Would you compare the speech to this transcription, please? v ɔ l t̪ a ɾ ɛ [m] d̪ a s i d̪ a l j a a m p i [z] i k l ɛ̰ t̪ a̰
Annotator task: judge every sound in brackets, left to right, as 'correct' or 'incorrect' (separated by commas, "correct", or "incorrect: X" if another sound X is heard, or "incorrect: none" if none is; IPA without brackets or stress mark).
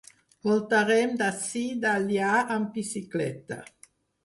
correct, incorrect: s